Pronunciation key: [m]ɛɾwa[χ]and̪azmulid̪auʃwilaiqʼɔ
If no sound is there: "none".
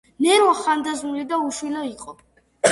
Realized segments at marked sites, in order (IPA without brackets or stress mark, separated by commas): n, χ